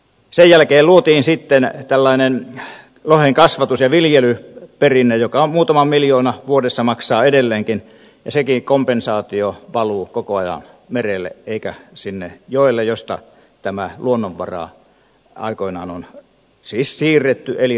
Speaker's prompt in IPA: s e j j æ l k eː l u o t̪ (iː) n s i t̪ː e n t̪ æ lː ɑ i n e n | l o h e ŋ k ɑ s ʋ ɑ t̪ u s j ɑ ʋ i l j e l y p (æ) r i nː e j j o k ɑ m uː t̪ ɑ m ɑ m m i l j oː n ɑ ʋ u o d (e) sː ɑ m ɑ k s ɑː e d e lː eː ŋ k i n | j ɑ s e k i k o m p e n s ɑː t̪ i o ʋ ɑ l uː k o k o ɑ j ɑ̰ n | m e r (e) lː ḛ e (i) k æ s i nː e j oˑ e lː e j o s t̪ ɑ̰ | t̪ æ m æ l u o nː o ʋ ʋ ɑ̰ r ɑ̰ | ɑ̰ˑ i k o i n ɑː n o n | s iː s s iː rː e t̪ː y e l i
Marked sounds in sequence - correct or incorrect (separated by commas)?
correct, incorrect, correct, correct, correct